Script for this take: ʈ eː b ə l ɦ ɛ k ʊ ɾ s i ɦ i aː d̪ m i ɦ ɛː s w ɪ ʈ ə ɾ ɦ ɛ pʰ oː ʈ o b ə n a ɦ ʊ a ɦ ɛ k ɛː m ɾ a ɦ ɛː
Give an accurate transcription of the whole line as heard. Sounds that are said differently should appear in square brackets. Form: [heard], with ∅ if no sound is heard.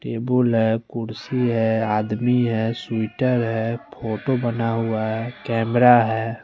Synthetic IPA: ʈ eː b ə l ɦ ɛ k ʊ ɾ s i ɦ [ɛ] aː d̪ m i ɦ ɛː s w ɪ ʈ ə ɾ ɦ ɛ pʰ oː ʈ o b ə n a ɦ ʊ a ɦ ɛ k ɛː m ɾ a ɦ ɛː